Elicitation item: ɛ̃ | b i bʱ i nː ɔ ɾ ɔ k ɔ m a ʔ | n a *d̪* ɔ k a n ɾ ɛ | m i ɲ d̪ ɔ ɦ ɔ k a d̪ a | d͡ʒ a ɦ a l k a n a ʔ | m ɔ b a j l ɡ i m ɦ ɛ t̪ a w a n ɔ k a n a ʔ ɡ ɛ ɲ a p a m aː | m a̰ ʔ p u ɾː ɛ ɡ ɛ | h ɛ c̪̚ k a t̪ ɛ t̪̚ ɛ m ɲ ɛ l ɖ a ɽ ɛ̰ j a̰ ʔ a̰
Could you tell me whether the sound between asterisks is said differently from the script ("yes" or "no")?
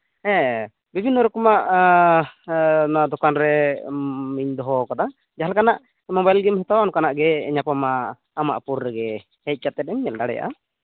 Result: no